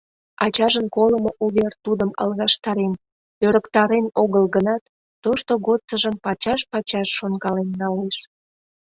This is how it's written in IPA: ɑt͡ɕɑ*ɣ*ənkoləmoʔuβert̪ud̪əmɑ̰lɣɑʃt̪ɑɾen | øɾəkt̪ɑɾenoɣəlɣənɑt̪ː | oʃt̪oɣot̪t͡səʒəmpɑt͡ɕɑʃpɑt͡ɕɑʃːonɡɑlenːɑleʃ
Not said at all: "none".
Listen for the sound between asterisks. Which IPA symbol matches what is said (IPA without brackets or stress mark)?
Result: ʒ